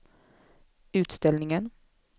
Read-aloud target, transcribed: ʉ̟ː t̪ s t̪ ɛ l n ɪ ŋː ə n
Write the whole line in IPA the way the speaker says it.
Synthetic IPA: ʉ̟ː t̪ s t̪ ɛ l n ɪ ŋ ə n